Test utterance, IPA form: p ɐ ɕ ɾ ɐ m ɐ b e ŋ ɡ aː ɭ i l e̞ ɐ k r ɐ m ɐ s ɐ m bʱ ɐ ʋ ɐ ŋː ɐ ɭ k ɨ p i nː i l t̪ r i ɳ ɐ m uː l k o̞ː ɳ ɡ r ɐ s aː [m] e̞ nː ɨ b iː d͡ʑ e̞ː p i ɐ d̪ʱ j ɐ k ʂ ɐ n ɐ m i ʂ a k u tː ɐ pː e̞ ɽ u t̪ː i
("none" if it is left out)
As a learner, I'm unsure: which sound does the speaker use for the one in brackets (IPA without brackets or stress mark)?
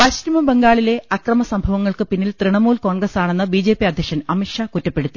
ɳ